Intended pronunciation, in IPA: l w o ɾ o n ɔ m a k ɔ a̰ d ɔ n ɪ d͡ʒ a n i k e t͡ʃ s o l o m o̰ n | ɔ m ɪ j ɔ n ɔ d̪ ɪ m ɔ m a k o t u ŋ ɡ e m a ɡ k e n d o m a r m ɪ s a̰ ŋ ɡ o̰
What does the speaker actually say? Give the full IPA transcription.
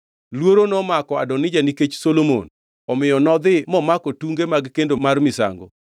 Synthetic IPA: l w o ɾ o n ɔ m a k ɔ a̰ d ɔ n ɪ d͡ʒ a n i k e t͡ʃ s o l o m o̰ n | ɔ m ɪ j ɔ n ɔ d̪ ɪ m ɔ m a k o t u ŋ ɡ e m a ɡ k e n d o m a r m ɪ s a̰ ŋ ɡ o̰